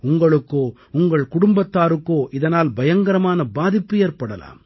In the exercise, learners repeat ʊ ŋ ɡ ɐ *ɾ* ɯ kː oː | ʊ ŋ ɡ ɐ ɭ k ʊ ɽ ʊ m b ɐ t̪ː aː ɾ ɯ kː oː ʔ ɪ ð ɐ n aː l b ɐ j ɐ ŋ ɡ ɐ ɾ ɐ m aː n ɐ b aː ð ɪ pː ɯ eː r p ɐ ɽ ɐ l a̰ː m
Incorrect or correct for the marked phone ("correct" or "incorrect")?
incorrect